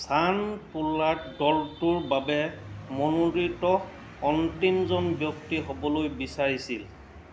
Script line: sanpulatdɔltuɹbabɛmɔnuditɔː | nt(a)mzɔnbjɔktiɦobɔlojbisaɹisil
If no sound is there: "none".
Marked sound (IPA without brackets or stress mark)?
i